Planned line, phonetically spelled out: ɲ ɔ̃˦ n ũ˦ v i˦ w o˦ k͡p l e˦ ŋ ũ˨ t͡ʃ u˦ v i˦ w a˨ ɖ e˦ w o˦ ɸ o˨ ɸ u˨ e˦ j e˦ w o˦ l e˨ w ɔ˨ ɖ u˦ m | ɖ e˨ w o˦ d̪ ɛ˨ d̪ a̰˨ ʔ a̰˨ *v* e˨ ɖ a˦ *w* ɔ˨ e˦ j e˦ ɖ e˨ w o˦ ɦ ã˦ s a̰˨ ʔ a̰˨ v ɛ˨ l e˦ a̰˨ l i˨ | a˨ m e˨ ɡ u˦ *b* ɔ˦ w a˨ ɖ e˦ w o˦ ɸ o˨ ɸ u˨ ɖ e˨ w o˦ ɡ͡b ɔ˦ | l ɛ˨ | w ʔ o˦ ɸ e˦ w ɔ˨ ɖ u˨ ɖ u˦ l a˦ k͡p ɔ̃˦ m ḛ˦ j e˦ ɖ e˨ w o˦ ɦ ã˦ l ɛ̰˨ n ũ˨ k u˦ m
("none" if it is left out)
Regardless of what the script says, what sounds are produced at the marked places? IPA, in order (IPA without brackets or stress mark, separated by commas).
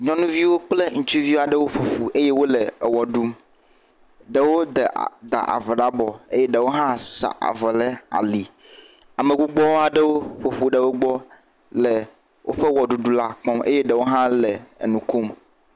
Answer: v, b, ɡ͡b